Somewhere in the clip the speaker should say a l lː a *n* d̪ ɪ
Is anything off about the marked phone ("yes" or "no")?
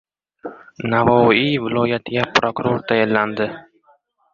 no